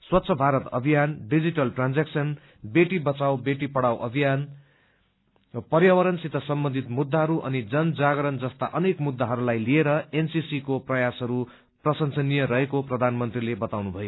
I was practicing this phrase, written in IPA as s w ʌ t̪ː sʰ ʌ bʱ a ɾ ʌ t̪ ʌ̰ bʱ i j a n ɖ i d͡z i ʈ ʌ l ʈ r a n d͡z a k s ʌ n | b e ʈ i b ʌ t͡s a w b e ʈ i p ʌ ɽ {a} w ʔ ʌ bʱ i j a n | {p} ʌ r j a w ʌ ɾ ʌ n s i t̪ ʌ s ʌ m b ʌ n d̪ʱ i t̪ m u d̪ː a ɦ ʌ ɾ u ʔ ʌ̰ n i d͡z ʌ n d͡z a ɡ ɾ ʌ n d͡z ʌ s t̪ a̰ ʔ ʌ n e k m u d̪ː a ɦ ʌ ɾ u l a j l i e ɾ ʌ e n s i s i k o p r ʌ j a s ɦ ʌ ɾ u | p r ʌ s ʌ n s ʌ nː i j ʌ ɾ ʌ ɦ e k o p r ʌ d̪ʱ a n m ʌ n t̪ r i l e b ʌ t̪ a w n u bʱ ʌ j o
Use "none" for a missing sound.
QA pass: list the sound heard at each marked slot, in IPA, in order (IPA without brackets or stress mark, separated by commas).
a, p